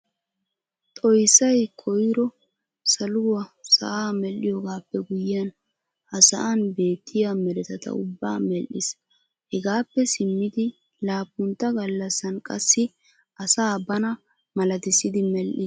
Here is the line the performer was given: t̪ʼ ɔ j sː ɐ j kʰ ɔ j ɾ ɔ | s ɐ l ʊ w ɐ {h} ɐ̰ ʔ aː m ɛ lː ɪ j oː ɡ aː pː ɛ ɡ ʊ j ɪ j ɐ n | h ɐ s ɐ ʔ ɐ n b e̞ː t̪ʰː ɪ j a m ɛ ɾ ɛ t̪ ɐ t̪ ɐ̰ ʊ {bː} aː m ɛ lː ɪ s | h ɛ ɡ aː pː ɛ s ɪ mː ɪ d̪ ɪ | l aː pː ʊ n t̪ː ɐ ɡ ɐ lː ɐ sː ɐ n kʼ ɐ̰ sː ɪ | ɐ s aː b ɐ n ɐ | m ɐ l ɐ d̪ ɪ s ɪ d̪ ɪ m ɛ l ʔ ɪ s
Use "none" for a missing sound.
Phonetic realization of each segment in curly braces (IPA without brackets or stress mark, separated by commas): s, bː